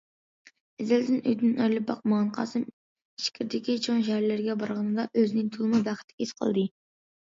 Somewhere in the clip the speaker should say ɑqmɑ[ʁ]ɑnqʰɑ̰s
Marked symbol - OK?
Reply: yes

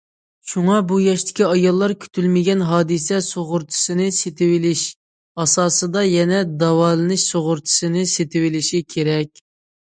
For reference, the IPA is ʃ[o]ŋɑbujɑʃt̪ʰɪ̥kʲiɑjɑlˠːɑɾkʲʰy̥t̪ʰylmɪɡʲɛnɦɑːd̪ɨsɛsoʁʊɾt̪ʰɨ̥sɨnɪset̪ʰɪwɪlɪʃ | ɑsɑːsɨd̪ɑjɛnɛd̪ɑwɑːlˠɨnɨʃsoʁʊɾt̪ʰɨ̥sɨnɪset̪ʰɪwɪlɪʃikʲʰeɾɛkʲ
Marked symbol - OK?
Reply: no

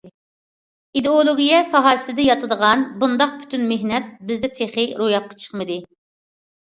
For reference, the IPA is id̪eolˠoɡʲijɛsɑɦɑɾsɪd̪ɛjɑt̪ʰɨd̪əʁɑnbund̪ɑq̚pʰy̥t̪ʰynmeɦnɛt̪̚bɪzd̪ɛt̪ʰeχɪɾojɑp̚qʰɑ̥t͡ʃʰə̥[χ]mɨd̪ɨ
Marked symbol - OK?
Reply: yes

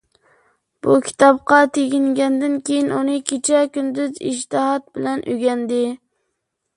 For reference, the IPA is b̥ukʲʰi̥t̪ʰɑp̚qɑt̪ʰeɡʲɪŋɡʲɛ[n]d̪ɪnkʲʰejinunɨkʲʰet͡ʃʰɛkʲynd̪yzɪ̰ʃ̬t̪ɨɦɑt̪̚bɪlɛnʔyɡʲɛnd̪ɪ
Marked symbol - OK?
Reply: yes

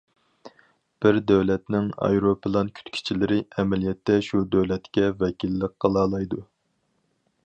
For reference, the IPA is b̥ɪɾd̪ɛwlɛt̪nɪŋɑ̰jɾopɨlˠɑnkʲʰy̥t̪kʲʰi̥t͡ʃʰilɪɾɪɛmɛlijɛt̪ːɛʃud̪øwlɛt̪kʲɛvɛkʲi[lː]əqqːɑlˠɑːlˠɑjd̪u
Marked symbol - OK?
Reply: yes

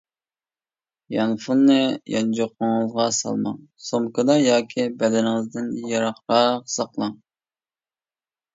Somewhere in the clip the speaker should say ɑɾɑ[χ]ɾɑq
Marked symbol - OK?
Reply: yes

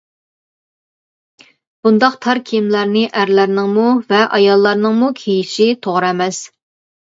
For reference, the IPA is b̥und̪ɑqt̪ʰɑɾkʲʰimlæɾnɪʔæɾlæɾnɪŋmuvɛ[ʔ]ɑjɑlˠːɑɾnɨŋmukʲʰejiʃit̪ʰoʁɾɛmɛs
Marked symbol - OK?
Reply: yes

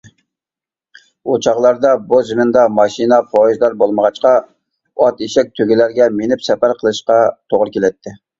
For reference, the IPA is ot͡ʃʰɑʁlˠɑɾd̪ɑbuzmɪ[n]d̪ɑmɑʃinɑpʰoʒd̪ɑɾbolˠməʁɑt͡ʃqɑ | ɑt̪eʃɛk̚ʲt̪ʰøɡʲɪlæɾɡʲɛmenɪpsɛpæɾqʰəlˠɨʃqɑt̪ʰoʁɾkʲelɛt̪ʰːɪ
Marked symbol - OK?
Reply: yes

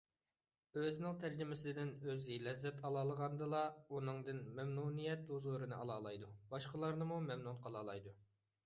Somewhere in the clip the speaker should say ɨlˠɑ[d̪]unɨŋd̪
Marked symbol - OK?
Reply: no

